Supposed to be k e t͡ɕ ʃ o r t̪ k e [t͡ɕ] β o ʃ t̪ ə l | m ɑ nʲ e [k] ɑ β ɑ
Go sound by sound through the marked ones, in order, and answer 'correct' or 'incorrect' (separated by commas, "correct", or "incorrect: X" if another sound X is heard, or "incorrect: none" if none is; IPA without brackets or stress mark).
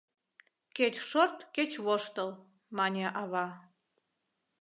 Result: correct, incorrect: ʔ